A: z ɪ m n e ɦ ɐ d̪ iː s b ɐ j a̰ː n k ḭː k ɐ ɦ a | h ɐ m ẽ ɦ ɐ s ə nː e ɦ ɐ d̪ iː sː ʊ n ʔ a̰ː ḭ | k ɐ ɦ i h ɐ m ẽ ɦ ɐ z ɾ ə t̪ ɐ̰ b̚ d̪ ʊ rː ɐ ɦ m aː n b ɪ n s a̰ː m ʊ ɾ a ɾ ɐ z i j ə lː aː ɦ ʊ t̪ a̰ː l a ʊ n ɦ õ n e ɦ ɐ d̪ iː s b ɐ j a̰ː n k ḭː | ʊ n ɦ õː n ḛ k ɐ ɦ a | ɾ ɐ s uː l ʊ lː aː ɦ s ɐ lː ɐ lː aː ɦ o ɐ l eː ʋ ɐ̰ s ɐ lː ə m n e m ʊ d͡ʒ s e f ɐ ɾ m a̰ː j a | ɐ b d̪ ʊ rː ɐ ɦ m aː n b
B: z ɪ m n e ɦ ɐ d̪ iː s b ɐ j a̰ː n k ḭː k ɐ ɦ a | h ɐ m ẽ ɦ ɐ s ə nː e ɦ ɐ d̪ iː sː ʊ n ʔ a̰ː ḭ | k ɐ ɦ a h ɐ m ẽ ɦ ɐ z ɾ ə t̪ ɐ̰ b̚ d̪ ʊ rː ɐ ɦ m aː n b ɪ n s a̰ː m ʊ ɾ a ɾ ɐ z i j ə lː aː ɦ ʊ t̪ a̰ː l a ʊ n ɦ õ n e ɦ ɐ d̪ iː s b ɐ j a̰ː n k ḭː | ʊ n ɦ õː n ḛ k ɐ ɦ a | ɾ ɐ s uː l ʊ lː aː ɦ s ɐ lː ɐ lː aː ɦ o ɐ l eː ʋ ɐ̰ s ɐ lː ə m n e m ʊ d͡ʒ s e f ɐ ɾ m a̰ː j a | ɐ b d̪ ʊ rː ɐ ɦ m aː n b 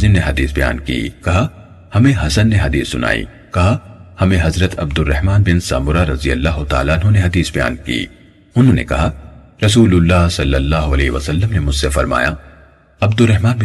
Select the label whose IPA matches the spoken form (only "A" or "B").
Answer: B